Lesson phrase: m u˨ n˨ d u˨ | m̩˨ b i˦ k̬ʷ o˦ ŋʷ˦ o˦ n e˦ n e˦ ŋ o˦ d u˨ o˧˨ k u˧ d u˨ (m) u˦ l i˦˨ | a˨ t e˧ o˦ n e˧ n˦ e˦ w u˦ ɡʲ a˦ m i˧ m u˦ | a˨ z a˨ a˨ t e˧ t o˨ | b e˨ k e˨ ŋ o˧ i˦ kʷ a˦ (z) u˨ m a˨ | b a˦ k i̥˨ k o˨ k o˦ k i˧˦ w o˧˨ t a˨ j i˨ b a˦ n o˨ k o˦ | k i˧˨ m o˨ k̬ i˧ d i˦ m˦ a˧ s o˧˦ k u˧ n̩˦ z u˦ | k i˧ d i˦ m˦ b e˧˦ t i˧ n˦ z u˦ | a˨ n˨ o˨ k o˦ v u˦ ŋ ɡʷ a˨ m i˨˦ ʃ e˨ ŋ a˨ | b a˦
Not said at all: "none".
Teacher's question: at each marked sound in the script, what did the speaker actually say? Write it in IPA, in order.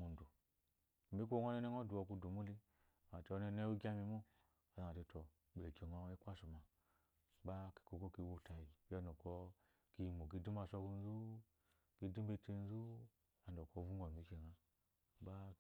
m, s

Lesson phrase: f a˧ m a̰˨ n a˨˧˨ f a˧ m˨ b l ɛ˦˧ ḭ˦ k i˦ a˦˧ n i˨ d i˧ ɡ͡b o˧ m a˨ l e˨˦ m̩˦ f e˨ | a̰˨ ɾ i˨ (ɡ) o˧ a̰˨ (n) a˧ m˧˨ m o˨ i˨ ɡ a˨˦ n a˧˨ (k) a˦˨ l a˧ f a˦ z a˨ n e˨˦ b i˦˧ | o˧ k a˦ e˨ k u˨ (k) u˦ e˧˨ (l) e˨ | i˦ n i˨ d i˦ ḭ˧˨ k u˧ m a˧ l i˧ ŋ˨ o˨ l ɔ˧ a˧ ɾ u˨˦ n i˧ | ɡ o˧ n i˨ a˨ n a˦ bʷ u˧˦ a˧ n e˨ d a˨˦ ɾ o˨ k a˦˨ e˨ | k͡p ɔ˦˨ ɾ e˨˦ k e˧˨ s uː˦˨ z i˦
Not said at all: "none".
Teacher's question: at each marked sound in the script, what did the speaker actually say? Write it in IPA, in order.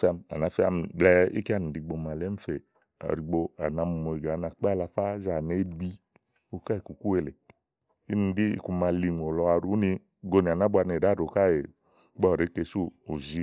ɡ͡b, n, k͡p, k, l

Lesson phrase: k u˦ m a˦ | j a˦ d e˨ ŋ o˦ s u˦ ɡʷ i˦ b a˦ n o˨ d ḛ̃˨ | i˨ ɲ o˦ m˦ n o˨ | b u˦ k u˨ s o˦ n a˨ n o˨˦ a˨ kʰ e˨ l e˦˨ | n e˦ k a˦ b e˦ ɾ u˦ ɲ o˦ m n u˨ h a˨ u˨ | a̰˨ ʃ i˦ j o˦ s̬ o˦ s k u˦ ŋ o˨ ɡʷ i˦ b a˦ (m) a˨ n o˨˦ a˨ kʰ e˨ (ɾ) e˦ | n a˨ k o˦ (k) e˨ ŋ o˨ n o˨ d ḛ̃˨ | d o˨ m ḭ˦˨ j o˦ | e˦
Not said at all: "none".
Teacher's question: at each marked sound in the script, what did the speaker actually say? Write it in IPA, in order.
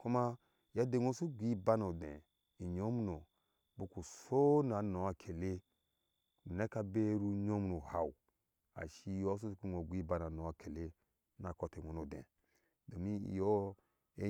n, l, t

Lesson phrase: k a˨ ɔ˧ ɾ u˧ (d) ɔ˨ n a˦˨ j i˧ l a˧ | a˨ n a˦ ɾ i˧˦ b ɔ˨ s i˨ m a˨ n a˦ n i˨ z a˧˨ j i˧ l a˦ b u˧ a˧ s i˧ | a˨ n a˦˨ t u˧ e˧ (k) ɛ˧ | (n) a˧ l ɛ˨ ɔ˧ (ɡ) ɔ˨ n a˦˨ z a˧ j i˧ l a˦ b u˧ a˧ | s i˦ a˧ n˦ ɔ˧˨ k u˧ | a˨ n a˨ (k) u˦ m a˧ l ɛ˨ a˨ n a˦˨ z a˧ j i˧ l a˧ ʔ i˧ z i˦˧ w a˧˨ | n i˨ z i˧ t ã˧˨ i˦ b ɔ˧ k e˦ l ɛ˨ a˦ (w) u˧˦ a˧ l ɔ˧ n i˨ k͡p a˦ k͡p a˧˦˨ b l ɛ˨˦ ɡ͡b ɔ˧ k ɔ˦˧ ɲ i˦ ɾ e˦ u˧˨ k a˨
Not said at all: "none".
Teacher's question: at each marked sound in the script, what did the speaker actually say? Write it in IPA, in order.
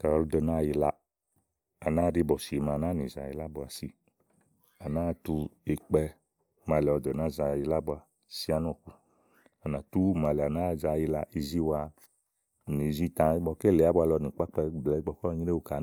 d, k͡p, m, d, t, b

